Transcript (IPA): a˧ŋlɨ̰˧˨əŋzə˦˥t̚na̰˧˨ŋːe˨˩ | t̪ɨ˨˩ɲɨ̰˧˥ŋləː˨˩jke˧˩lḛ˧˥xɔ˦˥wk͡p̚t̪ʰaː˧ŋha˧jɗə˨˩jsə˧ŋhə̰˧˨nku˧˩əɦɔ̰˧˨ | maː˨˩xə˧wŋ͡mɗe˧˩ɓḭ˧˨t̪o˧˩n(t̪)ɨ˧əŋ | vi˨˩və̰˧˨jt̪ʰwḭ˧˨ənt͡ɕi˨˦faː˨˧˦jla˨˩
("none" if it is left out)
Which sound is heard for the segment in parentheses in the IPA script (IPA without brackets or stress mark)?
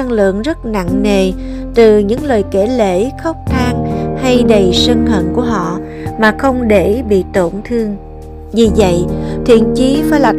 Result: t̪ʰ